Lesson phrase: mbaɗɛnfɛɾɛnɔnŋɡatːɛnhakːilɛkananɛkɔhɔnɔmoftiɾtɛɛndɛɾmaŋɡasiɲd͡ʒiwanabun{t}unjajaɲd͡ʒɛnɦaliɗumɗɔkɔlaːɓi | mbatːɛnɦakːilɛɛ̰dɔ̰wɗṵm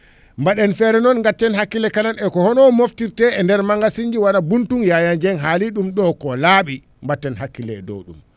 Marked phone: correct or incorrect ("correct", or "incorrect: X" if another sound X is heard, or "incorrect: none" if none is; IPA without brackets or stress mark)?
correct